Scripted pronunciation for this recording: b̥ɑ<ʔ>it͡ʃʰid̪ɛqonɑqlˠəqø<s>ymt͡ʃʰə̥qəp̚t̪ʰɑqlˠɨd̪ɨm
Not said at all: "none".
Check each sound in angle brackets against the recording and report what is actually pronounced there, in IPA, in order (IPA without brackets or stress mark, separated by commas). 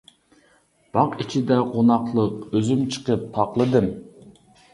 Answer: q, z